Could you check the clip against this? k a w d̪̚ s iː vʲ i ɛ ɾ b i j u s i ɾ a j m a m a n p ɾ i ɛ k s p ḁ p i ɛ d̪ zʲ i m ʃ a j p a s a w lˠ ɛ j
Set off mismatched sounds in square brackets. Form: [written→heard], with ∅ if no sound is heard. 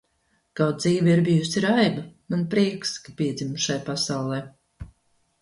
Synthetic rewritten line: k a w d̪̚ [s→z] iː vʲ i [ɛ→i] ɾ b i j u s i ɾ a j [m→b] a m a n p ɾ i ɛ k s [p→k] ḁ p i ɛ d̪ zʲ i m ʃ a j p a s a w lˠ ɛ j